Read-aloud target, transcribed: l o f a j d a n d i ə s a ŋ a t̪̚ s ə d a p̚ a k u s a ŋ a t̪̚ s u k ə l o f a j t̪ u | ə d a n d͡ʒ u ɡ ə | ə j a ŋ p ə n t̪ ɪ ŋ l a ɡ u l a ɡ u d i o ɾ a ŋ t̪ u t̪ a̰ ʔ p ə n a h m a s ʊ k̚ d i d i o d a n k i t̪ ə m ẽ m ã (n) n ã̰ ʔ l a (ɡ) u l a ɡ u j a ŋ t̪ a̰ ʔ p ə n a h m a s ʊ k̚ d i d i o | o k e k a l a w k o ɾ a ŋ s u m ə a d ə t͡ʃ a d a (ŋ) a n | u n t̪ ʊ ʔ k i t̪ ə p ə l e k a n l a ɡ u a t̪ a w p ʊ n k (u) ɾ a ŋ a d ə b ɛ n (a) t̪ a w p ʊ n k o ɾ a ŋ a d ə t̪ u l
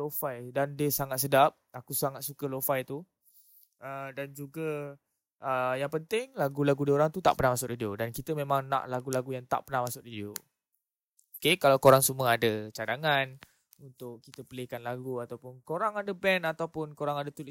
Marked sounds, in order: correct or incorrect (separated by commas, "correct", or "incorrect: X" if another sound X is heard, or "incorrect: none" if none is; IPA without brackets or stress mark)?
incorrect: ŋ, correct, correct, incorrect: o, correct